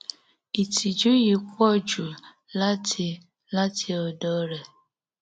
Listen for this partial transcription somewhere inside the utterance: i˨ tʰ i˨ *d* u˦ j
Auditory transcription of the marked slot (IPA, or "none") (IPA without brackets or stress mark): d͡ʒ